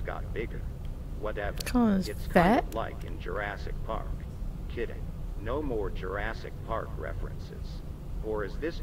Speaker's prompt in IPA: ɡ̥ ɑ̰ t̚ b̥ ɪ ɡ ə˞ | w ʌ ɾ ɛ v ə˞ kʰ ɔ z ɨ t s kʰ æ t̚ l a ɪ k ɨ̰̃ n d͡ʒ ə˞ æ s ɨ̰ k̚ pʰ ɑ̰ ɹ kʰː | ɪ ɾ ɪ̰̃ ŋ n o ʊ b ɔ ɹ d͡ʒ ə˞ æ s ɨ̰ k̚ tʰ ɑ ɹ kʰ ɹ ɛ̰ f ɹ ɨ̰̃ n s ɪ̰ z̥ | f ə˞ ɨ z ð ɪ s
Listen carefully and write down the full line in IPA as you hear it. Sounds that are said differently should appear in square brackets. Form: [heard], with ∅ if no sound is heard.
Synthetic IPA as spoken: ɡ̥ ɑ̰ t̚ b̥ ɪ ɡ ə˞ | w ʌ ɾ ɛ v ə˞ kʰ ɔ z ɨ t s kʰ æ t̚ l a ɪ k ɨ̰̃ n d͡ʒ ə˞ æ s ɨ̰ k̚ pʰ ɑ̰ ɹ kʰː | ɪ ɾ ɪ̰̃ ŋ n o ʊ [m] ɔ ɹ d͡ʒ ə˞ æ s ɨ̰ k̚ [pʰ] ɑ ɹ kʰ ɹ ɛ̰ f ɹ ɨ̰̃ n s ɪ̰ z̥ | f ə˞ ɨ z ð ɪ s